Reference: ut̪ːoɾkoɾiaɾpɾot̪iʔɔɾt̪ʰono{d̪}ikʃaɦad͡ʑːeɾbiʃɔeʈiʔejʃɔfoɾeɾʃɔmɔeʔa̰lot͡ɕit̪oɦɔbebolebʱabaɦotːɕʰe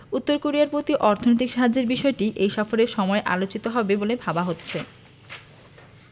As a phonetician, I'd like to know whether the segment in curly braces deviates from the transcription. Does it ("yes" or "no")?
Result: yes